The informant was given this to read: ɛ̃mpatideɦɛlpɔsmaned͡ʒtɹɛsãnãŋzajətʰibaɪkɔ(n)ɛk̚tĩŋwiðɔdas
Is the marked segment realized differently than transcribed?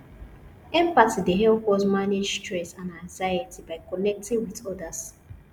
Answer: no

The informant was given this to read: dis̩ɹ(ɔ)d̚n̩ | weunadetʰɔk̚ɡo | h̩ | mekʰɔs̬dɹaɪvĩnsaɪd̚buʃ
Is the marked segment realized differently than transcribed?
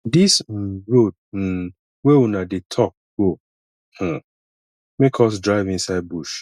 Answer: yes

